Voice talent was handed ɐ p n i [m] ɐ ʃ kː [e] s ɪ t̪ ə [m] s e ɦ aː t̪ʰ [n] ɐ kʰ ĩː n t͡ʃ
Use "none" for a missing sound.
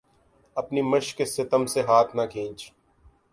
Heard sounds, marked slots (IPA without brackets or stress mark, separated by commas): m, e, m, n